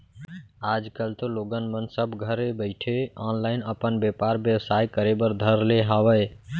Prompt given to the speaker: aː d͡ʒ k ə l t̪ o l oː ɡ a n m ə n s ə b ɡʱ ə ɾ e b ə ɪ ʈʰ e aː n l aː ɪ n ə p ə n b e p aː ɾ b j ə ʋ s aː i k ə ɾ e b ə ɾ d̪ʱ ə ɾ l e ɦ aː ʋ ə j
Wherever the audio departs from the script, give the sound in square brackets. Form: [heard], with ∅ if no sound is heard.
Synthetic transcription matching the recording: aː d͡ʒ k ə l t̪ o l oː ɡ [ə] n m ə n s ə b ɡʱ ə ɾ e b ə ɪ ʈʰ e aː n l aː ɪ n ə p ə n b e p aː ɾ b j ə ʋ s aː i k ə ɾ e b ə ɾ d̪ʱ ə ɾ l e ɦ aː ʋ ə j